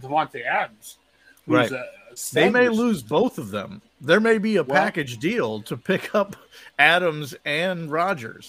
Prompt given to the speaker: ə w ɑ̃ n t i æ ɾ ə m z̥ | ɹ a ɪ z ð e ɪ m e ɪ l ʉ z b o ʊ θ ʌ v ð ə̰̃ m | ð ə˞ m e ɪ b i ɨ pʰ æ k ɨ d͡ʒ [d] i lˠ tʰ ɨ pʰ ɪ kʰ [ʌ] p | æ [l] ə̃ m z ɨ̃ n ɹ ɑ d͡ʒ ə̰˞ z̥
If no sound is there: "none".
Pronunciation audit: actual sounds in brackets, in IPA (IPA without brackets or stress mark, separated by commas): d, ʌ, ɾ